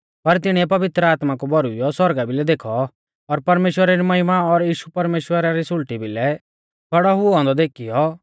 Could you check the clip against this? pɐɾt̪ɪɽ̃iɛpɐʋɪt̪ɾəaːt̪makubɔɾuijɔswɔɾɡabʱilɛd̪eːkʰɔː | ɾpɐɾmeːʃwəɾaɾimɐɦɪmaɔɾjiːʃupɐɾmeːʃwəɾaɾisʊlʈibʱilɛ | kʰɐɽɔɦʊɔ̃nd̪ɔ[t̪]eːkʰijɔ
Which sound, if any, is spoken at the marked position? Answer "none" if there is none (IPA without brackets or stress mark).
d̪